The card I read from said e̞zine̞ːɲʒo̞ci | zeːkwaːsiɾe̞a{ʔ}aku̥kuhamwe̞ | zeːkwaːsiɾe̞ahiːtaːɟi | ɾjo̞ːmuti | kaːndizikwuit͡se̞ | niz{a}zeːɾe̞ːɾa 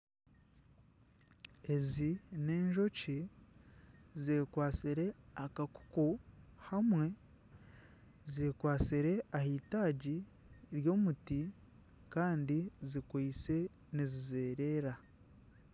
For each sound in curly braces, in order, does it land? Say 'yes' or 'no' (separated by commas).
no, no